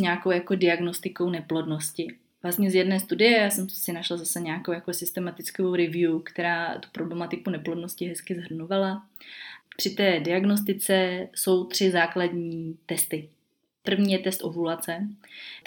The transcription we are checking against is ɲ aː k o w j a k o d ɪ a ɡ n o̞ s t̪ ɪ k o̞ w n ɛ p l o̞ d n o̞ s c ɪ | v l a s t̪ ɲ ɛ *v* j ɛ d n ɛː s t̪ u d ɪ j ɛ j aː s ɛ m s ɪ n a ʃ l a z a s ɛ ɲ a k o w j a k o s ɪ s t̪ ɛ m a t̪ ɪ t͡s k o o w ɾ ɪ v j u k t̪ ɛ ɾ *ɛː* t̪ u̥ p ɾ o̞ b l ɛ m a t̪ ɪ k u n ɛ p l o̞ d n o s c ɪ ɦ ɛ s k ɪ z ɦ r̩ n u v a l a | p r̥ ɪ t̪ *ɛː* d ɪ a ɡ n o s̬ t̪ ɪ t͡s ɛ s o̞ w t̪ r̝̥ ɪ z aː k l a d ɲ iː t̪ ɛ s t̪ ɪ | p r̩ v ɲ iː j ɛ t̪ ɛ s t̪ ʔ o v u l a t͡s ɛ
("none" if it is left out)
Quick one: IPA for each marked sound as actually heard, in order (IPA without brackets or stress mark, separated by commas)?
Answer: z, aː, ɛː